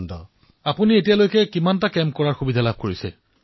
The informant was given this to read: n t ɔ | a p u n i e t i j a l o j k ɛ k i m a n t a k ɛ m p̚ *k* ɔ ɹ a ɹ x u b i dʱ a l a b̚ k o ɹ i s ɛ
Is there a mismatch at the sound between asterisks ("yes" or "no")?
no